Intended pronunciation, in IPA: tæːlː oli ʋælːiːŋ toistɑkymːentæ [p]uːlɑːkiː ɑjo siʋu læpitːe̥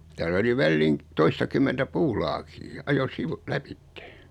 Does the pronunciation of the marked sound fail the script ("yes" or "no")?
no